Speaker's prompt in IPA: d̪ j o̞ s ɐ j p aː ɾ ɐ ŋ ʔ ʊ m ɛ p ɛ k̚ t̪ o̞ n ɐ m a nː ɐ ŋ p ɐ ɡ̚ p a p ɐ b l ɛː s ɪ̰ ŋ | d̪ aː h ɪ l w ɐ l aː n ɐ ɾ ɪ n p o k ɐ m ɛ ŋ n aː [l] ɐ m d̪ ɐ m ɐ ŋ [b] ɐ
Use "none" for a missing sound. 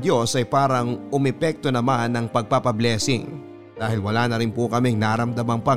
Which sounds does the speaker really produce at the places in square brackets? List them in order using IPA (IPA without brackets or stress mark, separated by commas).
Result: ɾ, p